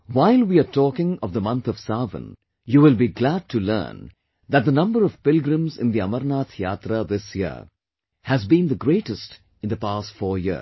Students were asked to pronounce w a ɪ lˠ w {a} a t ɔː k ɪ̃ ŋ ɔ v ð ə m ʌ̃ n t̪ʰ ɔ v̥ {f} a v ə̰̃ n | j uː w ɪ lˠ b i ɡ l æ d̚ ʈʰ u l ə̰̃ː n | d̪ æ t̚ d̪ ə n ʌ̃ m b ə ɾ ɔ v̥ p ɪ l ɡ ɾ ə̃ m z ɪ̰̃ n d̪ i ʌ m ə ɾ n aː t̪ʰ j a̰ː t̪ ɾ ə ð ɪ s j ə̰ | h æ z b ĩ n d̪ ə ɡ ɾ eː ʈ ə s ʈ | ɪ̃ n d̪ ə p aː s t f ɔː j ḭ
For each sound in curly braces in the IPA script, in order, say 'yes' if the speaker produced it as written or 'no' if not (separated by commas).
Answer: no, no